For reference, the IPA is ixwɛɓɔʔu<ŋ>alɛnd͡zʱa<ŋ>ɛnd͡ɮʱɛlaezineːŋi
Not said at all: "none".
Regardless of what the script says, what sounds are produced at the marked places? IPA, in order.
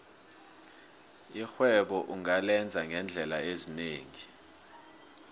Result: ŋ, ŋ

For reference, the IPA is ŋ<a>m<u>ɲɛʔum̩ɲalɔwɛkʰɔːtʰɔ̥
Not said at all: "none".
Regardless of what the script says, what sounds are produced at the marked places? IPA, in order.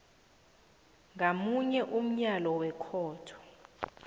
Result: a, u

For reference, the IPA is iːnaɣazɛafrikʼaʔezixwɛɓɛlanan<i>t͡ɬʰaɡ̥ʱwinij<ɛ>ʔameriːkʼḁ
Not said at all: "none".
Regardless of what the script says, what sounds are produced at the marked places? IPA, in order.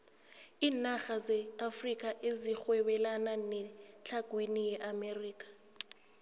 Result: ɛ, ɛ

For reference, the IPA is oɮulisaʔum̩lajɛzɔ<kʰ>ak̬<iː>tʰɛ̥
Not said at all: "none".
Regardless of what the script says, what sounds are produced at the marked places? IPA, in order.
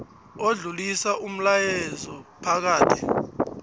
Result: pʰ, aː

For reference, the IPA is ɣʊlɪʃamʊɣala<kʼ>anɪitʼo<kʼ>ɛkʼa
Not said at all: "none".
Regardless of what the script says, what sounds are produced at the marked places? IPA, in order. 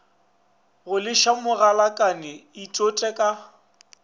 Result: kʼ, tʼ

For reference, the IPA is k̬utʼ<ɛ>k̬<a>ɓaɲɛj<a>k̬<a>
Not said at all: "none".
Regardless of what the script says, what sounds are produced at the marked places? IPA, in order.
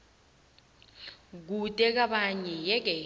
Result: ɛ, a, ɛ, ɛ

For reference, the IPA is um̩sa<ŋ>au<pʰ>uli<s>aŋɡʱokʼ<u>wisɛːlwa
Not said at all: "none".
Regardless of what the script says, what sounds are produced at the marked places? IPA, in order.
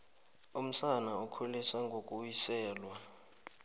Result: n, kʰ, s, u

